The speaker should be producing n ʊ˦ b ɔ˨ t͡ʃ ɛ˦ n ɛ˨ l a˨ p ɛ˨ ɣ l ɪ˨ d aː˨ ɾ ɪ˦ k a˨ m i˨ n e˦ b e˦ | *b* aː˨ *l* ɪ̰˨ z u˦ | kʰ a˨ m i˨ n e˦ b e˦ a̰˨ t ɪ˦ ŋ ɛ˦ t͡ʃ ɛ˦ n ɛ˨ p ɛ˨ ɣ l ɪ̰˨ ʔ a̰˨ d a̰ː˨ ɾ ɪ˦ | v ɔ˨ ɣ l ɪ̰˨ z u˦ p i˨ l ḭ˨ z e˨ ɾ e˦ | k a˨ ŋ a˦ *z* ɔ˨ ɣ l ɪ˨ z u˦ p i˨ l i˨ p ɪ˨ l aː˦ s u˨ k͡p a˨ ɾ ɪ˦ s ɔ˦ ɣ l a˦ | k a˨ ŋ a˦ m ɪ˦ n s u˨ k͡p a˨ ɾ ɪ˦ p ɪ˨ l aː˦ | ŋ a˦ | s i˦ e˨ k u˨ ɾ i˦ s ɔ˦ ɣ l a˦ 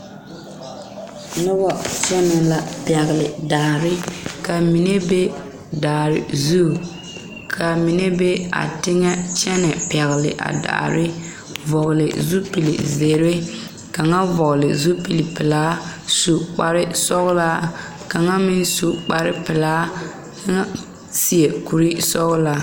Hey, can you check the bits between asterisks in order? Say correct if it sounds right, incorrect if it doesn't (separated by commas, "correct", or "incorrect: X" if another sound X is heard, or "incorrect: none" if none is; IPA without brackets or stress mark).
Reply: incorrect: d, incorrect: ɾ, incorrect: v